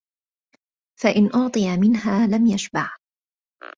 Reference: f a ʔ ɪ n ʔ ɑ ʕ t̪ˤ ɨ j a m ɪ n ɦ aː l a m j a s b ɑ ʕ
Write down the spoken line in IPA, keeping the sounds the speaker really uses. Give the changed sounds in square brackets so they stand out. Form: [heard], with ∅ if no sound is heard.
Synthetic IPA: f a ʔ ɪ n ʔ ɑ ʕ t̪ˤ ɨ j a m ɪ n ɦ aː l a m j a [ʃ] b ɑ ʕ